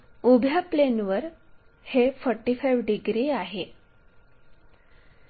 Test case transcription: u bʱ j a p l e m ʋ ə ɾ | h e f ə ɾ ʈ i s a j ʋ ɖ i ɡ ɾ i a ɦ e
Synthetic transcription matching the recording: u bʱ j a p l e n ʋ ə ɾ | h e f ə ɾ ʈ i f a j ʋ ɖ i ɡ ɾ i a ɦ e